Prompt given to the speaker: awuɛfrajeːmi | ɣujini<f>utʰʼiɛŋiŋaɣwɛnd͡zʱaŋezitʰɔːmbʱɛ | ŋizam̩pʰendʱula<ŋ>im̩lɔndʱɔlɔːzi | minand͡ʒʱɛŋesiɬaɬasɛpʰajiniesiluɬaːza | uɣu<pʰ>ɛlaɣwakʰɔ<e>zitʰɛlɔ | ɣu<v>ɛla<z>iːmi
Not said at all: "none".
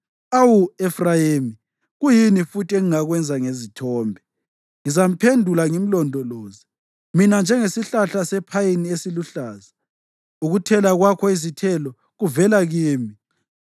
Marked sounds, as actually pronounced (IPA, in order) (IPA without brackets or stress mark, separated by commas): f, ŋ, tʰ, i, v, ɣ